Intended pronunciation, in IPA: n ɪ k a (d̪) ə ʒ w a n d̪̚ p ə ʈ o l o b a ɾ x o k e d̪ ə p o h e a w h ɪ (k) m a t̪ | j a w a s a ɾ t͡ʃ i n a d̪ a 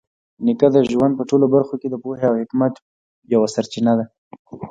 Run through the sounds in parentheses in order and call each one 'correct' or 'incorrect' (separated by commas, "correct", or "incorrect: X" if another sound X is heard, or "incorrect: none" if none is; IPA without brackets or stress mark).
correct, correct